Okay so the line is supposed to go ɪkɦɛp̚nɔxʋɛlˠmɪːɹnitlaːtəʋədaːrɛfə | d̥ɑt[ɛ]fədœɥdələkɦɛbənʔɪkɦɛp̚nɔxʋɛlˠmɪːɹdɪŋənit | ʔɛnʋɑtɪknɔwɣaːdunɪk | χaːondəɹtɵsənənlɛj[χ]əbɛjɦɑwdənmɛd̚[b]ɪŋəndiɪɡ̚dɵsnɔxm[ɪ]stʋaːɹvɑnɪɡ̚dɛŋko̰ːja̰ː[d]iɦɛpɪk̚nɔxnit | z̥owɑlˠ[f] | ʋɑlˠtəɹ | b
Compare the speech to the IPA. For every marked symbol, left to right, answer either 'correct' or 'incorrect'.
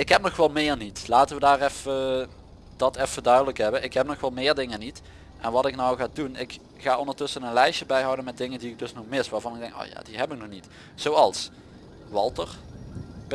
correct, incorrect, incorrect, correct, correct, incorrect

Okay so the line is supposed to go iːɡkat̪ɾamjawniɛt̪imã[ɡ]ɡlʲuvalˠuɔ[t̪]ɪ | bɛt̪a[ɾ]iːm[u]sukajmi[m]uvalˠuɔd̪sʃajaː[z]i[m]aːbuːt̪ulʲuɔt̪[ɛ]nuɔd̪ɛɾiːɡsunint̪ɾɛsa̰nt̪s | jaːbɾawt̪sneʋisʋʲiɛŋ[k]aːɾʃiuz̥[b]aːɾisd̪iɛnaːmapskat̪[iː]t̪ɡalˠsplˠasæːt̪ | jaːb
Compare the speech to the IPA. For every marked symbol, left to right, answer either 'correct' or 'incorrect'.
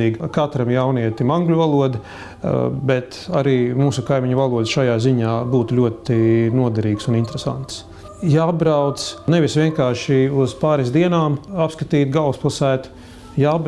incorrect, incorrect, correct, incorrect, incorrect, correct, incorrect, incorrect, correct, incorrect, correct

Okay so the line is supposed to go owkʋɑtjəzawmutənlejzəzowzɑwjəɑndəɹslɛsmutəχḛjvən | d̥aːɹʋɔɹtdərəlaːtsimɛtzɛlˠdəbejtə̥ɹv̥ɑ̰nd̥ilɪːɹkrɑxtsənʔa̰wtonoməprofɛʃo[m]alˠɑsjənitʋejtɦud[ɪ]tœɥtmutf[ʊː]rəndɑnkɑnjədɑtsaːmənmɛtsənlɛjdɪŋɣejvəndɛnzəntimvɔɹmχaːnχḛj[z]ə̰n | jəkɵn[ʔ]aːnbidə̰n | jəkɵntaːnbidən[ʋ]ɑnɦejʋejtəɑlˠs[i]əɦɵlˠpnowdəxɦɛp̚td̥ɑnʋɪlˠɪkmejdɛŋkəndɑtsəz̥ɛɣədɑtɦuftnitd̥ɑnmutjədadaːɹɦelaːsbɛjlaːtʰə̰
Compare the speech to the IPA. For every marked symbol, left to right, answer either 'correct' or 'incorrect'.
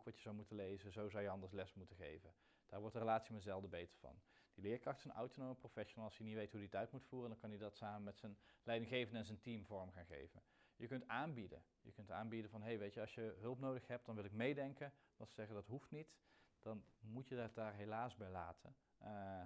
incorrect, incorrect, incorrect, incorrect, incorrect, incorrect, incorrect

